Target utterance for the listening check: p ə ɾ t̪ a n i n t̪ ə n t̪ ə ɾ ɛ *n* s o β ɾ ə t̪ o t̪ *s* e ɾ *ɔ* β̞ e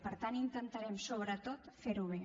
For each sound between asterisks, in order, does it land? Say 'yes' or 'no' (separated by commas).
no, no, no